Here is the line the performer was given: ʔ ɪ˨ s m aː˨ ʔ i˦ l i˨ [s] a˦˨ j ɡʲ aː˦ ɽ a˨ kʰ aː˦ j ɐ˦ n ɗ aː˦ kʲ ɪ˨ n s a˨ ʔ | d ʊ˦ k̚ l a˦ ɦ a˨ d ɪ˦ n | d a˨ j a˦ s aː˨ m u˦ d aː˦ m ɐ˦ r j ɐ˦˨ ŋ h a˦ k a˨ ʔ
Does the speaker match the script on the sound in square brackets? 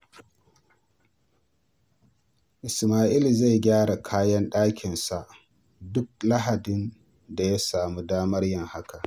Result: no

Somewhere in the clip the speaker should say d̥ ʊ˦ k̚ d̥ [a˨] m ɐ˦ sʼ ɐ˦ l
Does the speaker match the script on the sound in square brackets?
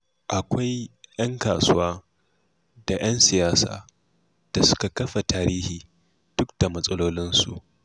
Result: yes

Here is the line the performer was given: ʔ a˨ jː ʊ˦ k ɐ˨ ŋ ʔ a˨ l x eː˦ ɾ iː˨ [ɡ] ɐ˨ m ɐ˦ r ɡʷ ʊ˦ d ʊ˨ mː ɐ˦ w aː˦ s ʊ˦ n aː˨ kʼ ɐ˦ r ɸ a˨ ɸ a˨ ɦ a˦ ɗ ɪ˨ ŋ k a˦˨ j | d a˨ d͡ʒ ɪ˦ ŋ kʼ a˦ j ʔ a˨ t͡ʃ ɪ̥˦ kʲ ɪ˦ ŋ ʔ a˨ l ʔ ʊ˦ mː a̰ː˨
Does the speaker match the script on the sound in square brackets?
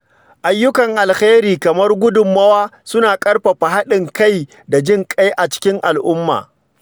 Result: no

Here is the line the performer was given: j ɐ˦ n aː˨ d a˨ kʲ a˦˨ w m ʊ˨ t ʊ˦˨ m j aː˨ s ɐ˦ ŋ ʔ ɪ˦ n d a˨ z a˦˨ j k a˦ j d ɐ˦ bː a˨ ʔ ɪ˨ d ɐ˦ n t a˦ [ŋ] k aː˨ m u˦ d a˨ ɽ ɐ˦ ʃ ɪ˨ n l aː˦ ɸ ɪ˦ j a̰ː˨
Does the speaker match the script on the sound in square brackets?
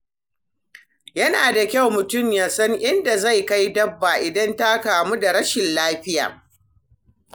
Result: no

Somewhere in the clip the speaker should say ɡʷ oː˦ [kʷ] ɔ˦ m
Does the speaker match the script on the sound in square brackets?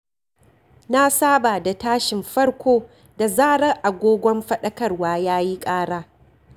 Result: no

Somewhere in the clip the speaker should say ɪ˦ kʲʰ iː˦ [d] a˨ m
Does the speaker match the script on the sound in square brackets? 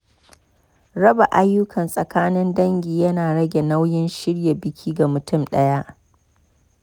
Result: no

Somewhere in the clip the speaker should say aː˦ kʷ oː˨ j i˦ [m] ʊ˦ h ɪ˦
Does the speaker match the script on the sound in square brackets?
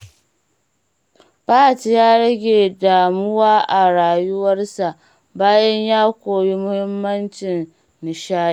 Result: yes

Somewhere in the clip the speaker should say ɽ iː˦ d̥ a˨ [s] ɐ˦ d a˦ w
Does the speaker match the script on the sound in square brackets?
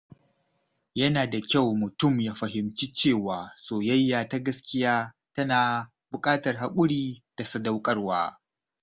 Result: yes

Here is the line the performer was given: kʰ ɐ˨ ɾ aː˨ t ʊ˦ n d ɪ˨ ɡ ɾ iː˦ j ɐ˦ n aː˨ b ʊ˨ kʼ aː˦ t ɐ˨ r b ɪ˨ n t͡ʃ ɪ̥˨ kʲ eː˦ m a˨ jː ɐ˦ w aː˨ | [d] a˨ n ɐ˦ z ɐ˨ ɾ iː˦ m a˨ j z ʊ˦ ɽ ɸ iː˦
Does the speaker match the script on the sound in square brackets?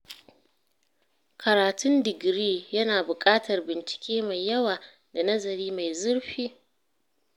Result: yes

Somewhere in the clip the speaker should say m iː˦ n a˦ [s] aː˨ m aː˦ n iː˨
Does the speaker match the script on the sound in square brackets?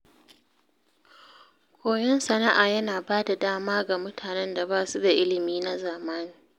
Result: no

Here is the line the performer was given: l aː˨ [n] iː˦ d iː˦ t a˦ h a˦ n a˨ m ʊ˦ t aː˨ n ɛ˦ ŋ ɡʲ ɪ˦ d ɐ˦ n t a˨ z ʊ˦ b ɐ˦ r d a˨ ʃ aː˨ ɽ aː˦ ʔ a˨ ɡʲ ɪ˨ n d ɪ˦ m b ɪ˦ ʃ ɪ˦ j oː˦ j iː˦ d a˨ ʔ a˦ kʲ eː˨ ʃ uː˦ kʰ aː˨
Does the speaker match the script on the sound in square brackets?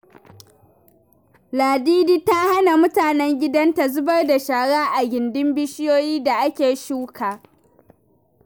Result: no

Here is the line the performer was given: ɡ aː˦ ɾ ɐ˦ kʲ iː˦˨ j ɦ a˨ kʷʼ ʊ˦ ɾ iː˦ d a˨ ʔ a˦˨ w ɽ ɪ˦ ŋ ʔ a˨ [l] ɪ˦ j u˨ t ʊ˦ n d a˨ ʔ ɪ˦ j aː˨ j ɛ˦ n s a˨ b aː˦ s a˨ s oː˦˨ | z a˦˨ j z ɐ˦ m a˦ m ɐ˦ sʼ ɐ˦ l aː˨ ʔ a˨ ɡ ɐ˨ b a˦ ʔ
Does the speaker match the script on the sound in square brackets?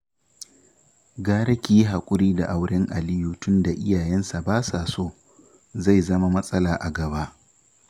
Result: yes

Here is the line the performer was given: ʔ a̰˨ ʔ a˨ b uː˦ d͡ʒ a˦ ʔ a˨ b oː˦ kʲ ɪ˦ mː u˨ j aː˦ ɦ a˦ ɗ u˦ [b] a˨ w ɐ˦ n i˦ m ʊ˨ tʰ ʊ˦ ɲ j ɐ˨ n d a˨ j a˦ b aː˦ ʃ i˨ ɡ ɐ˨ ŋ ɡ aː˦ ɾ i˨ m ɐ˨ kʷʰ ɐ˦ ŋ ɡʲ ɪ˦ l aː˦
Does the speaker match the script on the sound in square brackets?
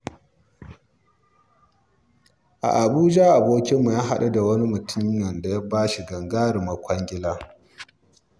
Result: no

